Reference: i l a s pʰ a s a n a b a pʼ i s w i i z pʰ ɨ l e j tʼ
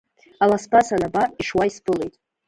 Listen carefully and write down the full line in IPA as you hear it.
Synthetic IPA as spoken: a l a s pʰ a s a n a b a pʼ i ʂ w a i s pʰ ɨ l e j tʼ